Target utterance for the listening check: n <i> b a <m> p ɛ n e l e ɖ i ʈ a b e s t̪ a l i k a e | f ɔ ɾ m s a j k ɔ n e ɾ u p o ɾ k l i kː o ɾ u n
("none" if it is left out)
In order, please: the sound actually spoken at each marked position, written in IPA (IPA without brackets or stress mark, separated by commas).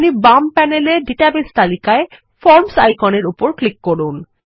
i, m